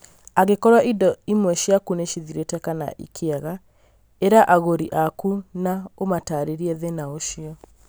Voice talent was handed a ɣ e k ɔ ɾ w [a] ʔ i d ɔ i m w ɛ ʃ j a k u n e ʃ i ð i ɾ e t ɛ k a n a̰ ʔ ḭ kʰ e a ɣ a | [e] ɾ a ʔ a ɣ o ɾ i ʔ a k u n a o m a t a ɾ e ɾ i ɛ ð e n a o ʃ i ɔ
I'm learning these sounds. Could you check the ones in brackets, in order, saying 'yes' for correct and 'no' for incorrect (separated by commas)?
yes, yes